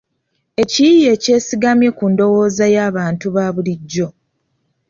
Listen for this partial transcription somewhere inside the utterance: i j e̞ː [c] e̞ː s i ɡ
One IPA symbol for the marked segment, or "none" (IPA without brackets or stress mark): c